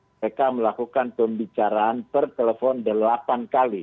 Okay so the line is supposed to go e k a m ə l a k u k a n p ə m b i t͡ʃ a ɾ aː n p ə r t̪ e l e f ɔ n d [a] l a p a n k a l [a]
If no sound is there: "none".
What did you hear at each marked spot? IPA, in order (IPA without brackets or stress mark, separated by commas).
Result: ə, i